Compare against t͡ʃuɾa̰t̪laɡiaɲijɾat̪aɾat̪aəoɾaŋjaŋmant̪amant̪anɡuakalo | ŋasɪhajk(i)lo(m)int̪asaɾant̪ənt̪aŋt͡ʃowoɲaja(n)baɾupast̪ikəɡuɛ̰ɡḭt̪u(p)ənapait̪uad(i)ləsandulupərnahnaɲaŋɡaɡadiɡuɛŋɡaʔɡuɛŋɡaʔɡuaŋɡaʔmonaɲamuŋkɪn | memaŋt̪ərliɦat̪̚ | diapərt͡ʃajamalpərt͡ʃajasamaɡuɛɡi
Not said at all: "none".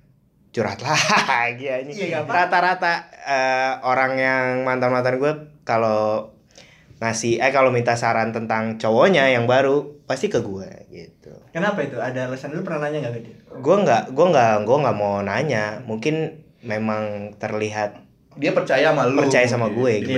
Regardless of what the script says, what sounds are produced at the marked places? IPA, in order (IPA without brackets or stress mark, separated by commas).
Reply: a, m, ŋ, k, a